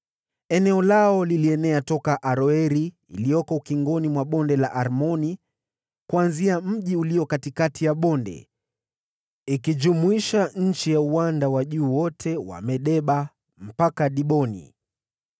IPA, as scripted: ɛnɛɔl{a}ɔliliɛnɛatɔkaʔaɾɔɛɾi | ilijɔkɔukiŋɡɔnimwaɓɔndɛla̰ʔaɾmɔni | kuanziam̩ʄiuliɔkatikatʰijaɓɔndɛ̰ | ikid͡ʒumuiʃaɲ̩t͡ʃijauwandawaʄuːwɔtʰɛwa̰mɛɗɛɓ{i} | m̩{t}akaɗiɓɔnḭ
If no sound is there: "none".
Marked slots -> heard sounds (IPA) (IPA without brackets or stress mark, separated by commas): a, a, p